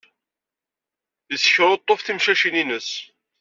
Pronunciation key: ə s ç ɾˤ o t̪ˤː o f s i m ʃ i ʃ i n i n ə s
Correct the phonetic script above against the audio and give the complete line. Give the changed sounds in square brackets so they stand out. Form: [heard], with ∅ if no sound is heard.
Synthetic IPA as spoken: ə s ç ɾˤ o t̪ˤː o f [θ] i m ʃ [æ] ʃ i n i n ə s